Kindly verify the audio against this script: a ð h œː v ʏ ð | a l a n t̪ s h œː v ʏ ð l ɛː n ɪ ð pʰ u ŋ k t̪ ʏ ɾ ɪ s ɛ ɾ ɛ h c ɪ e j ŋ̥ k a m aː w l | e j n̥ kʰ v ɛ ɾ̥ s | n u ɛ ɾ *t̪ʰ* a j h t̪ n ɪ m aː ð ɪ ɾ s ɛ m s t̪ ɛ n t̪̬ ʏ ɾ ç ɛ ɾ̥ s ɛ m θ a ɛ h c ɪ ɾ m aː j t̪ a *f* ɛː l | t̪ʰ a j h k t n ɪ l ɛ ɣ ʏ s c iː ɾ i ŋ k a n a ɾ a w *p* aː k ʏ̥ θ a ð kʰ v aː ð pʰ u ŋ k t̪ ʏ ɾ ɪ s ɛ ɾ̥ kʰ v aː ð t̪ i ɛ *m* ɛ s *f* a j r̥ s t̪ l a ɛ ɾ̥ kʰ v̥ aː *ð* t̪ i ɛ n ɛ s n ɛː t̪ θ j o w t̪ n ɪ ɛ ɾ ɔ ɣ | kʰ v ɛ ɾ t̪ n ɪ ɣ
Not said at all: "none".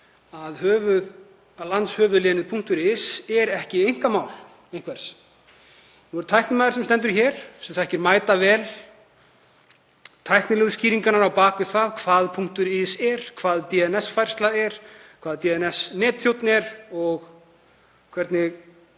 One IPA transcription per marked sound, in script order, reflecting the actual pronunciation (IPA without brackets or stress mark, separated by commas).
t̪ʰ, v, p, n, f, ð